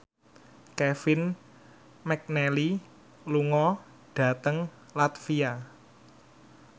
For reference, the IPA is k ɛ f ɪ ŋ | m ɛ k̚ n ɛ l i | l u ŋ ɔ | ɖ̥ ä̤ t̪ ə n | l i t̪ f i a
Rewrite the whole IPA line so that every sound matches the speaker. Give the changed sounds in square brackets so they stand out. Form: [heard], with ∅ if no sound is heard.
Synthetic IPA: k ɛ f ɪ [n] | m ɛ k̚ n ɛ l i | l u ŋ ɔ | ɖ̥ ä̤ t̪ ə [ŋ] | l [a] t̪ f i a